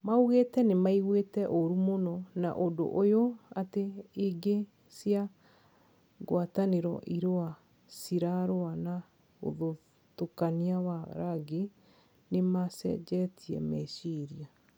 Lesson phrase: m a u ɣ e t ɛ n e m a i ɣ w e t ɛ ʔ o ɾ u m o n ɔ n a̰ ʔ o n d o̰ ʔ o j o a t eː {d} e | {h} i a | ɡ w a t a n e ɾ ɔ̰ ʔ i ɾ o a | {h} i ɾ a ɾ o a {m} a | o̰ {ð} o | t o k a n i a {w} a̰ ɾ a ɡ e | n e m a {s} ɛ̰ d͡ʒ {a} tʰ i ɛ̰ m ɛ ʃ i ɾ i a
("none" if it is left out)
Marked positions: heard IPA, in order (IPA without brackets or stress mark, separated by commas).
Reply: ɡ, s, s, n, ð, w, s, ɛ